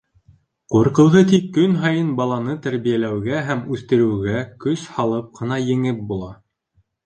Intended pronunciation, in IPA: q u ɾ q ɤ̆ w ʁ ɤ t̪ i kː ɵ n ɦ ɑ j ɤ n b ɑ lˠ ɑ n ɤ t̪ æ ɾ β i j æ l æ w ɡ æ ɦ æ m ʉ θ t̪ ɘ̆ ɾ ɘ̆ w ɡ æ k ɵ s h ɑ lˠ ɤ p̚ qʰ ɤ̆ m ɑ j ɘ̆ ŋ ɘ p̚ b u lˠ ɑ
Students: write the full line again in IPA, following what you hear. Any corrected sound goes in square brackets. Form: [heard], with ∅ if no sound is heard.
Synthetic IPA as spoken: q u ɾ q ɤ̆ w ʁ ɤ t̪ i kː ɵ n ɦ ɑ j ɤ n b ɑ lˠ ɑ n ɤ t̪ æ ɾ β i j æ l æ w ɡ æ ɦ æ m ʉ θ t̪ ɘ̆ ɾ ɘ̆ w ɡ æ k ɵ s h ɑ lˠ ɤ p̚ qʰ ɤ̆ [n] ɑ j ɘ̆ ŋ ɘ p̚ b u lˠ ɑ